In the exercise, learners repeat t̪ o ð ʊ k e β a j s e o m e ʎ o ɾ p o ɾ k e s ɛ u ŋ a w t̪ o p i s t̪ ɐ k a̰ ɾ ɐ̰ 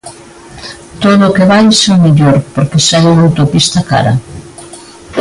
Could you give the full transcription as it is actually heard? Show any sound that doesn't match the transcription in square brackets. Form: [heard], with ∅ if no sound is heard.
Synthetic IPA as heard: t̪ o ð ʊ k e β a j s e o m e ʎ o ɾ p o ɾ k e s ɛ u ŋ a w t̪ o p i s t̪ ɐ k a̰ ɾ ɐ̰